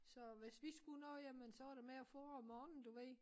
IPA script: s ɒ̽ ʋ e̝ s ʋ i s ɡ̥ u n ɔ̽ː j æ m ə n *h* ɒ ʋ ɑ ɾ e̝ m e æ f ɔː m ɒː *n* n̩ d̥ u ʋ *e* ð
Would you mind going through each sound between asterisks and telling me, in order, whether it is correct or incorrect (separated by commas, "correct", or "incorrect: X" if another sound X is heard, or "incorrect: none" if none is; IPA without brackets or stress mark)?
incorrect: s, correct, correct